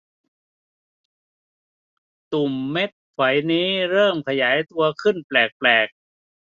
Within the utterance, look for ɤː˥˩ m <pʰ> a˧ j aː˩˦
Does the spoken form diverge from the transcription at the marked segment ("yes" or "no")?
yes